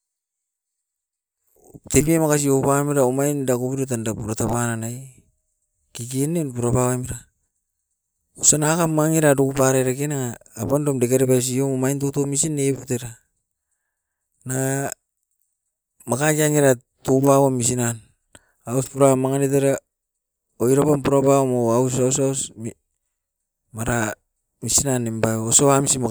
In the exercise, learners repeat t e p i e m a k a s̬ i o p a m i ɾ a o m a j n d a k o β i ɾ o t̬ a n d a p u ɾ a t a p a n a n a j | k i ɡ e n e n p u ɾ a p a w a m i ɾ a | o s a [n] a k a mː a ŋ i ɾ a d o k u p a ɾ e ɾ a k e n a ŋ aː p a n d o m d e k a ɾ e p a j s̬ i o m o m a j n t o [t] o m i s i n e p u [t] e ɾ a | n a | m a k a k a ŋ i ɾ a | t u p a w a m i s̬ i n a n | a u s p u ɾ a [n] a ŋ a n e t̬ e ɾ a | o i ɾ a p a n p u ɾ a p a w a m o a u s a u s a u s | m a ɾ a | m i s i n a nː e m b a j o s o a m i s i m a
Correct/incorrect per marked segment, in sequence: correct, correct, correct, incorrect: m

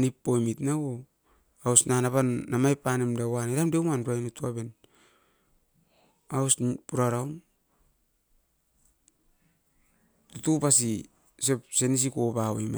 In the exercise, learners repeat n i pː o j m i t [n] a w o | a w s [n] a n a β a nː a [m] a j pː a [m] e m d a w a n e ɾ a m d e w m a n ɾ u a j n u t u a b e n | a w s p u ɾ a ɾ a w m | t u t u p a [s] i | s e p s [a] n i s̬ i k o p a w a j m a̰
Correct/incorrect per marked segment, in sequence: correct, correct, correct, incorrect: n, correct, incorrect: e

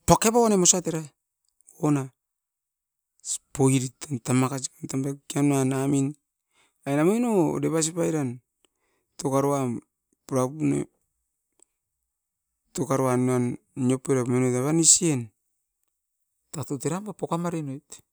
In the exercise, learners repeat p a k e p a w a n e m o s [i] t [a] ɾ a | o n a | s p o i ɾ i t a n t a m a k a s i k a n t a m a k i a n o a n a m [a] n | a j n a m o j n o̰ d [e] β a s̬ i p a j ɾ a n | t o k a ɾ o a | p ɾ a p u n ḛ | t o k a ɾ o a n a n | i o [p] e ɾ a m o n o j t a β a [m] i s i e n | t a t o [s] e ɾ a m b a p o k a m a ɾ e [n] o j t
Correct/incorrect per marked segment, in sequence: incorrect: a, incorrect: e, incorrect: i, correct, correct, incorrect: n, incorrect: t, correct

